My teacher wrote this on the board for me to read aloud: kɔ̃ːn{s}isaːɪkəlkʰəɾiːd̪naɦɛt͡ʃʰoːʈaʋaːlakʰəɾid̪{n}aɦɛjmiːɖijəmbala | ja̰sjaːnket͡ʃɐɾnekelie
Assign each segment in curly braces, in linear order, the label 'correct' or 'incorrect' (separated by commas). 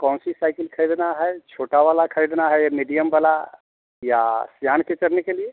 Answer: correct, correct